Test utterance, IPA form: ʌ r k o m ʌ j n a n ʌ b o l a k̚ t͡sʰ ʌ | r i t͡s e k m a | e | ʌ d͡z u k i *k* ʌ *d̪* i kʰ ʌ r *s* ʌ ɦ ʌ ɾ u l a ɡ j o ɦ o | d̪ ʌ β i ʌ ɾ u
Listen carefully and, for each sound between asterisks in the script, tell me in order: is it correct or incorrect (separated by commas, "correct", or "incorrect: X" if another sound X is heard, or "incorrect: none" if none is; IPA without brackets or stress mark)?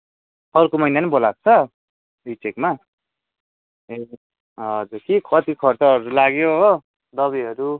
incorrect: kʰ, incorrect: t̪, incorrect: t͡s